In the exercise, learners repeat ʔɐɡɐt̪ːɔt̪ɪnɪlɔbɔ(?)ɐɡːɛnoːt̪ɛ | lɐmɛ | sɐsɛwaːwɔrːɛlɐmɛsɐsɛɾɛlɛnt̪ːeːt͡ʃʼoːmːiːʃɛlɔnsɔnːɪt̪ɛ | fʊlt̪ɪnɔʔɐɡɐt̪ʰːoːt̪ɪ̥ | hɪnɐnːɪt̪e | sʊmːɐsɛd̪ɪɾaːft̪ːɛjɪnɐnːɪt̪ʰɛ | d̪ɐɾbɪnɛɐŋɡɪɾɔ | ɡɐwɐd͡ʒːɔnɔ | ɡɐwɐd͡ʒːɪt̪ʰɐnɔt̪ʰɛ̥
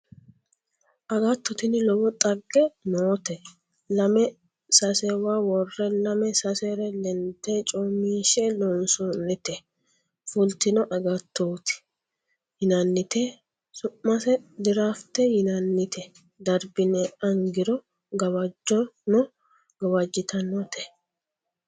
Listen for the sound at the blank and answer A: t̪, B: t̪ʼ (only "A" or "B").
B